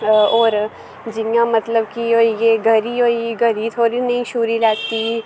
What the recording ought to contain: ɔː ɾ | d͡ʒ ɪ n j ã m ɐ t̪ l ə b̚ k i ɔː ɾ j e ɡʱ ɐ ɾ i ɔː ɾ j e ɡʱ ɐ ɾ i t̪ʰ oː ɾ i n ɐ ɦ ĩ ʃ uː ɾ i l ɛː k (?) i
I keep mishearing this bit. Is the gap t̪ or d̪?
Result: t̪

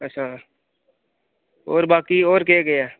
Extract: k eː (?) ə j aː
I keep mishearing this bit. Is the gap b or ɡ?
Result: ɡ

